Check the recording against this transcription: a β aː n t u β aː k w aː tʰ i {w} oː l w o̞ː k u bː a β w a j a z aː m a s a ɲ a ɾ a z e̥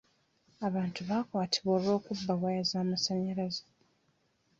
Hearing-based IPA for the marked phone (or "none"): β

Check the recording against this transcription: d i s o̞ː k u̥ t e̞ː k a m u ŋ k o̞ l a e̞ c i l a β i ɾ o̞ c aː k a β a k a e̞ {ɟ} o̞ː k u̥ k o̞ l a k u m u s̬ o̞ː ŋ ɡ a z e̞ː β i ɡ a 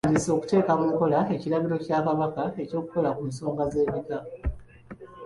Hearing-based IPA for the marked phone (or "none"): c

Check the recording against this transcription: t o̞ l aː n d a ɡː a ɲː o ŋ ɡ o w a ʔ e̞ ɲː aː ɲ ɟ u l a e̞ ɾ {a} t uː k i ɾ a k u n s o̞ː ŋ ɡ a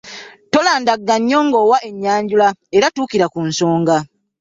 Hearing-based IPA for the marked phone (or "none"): a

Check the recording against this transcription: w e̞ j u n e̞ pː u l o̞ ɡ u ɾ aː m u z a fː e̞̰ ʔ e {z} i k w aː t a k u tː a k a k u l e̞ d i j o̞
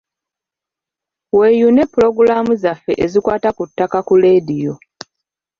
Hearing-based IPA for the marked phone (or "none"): z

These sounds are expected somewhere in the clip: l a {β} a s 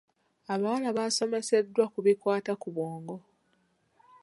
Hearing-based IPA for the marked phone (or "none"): β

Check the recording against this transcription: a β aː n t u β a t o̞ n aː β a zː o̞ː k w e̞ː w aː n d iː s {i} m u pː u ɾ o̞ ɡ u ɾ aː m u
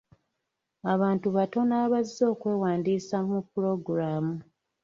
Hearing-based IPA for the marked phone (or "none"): a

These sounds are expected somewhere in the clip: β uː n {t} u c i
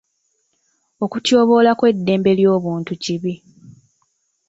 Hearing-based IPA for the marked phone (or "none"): t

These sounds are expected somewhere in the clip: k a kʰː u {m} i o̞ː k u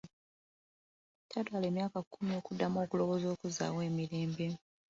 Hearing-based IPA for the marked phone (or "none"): m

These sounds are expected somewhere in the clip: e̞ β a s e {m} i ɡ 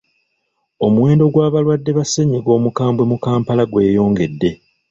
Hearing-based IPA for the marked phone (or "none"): ɲ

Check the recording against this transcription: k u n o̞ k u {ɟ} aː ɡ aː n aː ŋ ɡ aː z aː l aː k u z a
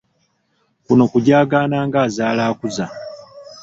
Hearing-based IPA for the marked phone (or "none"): ɟ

